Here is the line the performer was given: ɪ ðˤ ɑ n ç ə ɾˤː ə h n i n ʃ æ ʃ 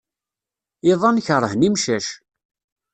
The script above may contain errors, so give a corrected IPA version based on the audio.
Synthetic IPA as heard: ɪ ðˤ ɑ n ç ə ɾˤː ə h n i m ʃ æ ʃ

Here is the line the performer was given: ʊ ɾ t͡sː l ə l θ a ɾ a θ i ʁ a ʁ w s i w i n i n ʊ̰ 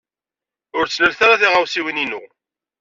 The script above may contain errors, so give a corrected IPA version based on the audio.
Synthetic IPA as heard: ʊ ɾ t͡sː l ə l θ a ɾ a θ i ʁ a w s i w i n i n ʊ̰

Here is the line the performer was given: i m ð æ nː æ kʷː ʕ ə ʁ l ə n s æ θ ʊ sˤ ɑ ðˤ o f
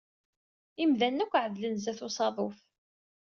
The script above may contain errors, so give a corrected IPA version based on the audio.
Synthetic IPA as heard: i m ð æ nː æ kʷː ʕ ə ð l ə n z æ θ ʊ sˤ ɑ ðˤ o f

